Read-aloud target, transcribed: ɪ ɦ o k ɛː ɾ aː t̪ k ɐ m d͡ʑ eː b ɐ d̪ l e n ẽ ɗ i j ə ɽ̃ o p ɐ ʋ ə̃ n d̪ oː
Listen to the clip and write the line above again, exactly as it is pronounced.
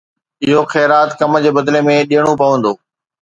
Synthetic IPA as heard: ɪ ɦ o x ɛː ɾ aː t̪ k ɐ m d͡ʑ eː b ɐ d̪ l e m ẽ ɗ i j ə ɽ̃ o p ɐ ʋ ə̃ n d̪ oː

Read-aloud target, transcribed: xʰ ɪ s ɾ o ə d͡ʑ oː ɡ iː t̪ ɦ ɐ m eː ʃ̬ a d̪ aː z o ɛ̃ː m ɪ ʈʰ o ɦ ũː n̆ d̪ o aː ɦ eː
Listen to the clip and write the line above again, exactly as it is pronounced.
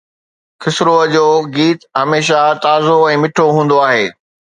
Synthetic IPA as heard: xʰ ɪ s ɾ o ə d͡ʑ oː ɡ iː t̪ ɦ ɐ m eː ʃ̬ a t̪ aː z o ɛ̃ː m ɪ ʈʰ o ɦ ũː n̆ d̪ o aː ɦ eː

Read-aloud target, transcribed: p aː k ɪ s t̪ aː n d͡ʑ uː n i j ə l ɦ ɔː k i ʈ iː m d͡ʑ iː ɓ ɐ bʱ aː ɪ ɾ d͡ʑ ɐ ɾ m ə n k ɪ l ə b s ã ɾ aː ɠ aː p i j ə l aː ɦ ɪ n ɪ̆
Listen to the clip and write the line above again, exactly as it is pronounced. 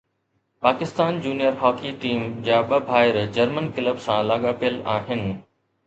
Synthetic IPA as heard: p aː k ɪ s t̪ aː n d͡ʑ uː n i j ə ɾ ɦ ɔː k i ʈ iː m d͡ʑ aː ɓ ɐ bʱ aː ɪ ɾ d͡ʑ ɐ ɾ m ə n k ɪ l ə b s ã l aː ɠ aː p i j ə l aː ɦ ɪ n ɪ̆

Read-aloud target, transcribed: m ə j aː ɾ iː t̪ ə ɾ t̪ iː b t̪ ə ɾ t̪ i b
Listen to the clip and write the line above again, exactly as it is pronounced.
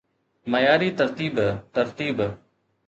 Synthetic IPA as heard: m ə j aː ɾ iː t̪ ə ɾ t̪ iː b t̪ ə ɾ t̪ iː b

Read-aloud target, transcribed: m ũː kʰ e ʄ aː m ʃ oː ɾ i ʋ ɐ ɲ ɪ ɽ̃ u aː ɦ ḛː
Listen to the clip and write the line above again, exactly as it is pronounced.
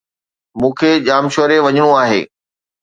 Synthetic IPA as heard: m ũː kʰ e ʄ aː m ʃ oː ɾ e ʋ ɐ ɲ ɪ ɽ̃ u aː ɦ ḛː

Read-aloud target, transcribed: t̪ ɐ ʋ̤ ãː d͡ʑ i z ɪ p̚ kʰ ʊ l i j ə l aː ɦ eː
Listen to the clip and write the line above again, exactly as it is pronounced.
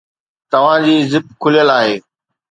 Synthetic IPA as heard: t̪ ɐ ʋ̤ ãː d͡ʑ iː z ɪ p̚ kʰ ʊ l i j ə l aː ɦ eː

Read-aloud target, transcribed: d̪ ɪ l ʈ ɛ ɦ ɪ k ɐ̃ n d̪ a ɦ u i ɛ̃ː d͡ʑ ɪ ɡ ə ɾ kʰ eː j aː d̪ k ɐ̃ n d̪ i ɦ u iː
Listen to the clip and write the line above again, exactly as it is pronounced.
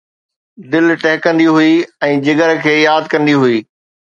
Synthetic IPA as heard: d̪ ɪ l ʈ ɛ ɦ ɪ k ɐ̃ n d̪ i ɦ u i ɛ̃ː d͡ʑ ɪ ɡ ə ɾ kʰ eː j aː d̪ k ɐ̃ n d̪ i ɦ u iː

